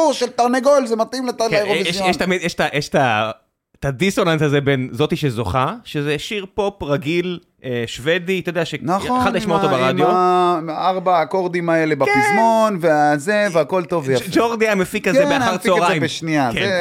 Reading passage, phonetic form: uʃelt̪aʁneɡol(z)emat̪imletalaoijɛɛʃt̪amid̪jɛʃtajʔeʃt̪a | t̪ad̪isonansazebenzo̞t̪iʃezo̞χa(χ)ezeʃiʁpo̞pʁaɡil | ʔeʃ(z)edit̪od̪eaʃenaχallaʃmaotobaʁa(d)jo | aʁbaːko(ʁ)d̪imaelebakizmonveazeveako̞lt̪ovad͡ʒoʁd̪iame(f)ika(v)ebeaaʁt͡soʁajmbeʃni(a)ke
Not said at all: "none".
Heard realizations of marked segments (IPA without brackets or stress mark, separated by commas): z, ʃ, v, d, ʁ, f, z, a